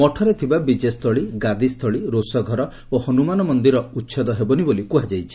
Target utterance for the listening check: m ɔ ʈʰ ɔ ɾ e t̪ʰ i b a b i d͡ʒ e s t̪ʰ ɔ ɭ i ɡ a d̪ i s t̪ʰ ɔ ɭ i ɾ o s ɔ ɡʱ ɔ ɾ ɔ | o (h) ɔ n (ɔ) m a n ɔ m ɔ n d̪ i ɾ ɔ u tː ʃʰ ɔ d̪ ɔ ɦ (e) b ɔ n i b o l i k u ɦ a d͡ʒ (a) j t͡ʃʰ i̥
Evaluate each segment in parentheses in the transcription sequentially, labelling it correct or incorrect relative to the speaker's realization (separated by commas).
correct, incorrect, correct, correct